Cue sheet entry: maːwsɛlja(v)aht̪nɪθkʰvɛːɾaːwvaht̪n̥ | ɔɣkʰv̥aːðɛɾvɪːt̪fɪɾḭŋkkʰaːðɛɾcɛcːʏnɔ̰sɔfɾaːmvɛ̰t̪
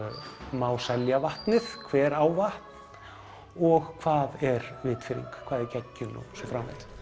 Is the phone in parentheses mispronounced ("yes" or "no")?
no